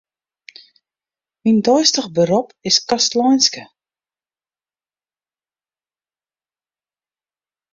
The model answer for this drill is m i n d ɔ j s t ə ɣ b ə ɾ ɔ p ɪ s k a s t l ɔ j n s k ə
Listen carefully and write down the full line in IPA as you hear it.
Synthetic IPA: m i n d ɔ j s t ə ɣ b ə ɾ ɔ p ɪ s k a s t l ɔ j n s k ə